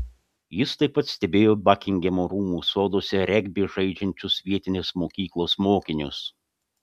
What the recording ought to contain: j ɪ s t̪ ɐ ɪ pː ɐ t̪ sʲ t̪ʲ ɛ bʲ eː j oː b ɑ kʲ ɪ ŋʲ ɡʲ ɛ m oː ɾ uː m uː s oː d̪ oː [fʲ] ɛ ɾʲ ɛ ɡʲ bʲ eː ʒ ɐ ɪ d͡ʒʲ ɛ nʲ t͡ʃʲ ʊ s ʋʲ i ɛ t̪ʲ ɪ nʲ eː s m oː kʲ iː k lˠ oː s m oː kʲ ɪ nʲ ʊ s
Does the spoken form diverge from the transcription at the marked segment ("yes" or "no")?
yes